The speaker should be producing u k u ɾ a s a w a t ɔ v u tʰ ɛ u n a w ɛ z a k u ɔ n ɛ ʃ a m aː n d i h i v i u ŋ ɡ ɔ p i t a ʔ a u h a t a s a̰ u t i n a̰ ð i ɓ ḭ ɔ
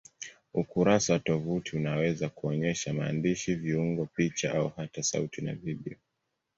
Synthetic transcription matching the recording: u k u ɾ a s a w a t ɔ v u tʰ i u n a w ɛ z a k u ɔ ɲ ɛ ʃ a m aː n d i ʃ i v i u ŋ ɡ ɔ p i t͡ʃ a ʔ a u h a t a s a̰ u t i n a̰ v i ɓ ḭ ɔ

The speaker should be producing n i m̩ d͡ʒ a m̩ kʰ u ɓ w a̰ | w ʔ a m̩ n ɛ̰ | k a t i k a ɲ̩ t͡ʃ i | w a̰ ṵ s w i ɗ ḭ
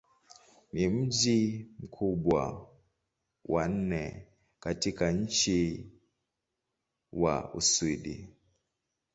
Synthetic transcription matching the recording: n i m̩ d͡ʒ i m̩ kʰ u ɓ w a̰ | w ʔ a n̩ n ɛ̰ | k a t i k a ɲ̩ t͡ʃ i | w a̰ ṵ s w i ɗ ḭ

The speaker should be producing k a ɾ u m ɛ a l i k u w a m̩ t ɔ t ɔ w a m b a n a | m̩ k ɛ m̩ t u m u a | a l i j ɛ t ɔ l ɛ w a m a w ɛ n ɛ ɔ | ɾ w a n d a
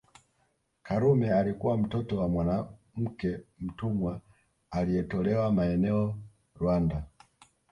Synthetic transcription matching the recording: k a ɾ u m ɛ a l i k u w a m̩ t ɔ t ɔ w a m w a n a | m̩ k ɛ m̩ t u m w a | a l i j ɛ t ɔ l ɛ w a m a ɛ n ɛ ɔ | ɾ w a n d a

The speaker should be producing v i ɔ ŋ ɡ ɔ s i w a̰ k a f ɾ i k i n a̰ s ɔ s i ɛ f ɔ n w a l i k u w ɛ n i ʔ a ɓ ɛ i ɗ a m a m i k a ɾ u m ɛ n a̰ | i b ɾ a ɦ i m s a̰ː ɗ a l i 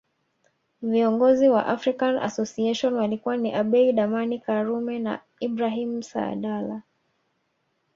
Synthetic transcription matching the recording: v i ɔ ŋ ɡ ɔ z i w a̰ ʔ a f ɾ i k a n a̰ s ɔ s i ɛ ʃ ɔ n w a l i k u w a n i ʔ a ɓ ɛ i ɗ a m a n i k a ɾ u m ɛ n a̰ | i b ɾ a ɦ i m s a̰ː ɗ a l a

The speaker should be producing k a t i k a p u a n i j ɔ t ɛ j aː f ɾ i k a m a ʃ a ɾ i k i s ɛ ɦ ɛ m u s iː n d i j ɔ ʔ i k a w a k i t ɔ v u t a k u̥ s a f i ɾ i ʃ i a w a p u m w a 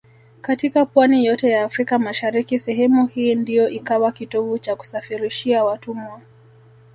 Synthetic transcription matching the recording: k a t i k a p w a n i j ɔ t ɛ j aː f ɾ i k a m a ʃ a ɾ i k i s ɛ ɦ ɛ m u h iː n d i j ɔ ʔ i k a w a k i t ɔ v u t͡ʃ a k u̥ s a f i ɾ i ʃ i a w a t u m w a

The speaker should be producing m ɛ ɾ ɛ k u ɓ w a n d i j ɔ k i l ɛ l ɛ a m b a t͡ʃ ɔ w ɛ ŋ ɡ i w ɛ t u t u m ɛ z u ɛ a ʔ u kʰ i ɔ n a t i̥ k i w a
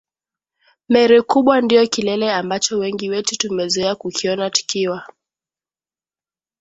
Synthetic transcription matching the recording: m ɛ ɾ ɛ k u ɓ w a n d i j ɔ k i l ɛ l ɛ a m b a t͡ʃ ɔ w ɛ ŋ ɡ i w ɛ t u t u m ɛ z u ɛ a k u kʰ i ɔ n a t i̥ k i w a

